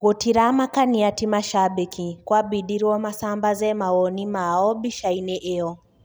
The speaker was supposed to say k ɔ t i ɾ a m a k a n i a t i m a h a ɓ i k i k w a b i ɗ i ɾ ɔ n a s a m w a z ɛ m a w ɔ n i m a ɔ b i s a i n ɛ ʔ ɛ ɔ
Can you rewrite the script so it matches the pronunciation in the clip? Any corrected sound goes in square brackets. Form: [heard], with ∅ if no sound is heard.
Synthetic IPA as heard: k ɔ t i ɾ a m a k a n i a t i m a [ʃ] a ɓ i k i k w a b i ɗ i ɾ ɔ [m] a s a m [b] a z ɛ m a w ɔ n i m a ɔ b i [ʃ] a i n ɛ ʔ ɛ ɔ